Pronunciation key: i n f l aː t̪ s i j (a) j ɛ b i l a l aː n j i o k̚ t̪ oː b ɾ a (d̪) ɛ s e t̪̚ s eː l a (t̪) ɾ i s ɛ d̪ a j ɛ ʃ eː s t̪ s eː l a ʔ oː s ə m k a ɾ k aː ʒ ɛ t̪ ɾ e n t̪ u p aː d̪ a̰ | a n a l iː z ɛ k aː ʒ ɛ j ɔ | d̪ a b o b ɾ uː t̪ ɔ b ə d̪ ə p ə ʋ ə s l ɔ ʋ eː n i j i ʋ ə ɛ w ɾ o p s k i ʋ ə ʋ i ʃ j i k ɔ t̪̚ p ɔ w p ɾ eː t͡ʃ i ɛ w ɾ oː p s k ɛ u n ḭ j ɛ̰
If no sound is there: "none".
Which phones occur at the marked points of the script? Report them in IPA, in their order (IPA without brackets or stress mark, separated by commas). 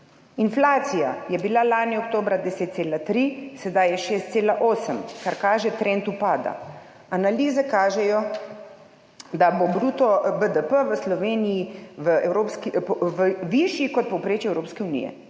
a, d̪, t̪